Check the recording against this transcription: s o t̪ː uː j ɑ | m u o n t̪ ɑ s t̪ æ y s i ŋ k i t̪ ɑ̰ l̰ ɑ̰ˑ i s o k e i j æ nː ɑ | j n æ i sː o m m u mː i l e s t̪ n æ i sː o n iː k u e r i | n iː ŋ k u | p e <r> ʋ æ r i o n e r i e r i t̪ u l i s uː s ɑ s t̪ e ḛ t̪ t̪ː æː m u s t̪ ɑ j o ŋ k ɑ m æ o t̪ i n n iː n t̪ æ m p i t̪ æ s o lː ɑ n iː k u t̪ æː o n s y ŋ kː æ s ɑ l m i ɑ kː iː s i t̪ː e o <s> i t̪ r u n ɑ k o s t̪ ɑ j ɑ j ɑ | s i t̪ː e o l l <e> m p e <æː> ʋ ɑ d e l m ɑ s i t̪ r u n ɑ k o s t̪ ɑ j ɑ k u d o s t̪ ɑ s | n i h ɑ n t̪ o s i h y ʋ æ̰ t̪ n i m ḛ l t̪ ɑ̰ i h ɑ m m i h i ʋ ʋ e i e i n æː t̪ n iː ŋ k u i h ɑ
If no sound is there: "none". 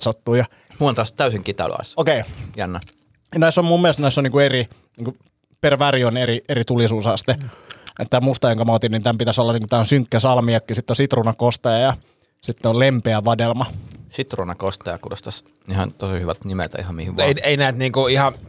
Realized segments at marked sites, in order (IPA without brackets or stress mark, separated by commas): r, s, e, æ